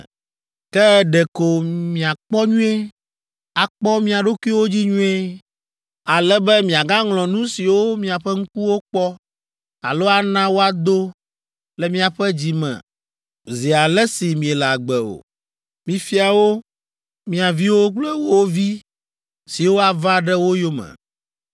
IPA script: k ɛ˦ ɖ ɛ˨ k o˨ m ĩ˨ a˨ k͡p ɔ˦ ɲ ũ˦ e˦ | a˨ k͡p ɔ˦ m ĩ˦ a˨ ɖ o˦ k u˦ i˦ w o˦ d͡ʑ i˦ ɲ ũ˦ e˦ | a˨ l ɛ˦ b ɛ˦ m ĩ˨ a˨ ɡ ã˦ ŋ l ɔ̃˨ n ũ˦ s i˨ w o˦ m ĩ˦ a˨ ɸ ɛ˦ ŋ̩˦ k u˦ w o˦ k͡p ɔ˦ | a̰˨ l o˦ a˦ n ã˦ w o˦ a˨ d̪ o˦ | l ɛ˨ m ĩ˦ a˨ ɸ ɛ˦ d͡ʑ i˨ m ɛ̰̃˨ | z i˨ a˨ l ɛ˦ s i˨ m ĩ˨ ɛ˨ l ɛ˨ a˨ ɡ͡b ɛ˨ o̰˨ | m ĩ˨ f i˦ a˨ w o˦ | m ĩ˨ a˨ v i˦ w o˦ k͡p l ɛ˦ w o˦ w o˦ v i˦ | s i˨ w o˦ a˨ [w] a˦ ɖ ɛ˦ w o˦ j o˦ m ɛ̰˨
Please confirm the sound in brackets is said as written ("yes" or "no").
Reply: no